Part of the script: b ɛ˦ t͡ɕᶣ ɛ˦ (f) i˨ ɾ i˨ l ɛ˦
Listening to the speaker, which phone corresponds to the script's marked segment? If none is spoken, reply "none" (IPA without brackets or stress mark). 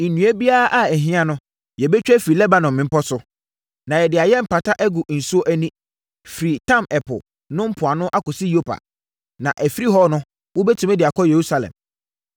f